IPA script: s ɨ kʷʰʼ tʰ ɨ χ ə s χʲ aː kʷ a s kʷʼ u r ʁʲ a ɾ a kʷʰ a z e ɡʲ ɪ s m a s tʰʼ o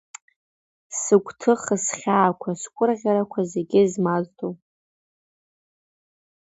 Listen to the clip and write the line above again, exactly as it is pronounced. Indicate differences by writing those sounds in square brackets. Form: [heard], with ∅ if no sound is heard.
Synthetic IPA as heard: s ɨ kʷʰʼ tʰ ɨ χ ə s χʲ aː [kʷʰ] a s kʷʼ [ʊ] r ʁʲ a ɾ a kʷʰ a z e ɡʲ ɪ [z] m a [z] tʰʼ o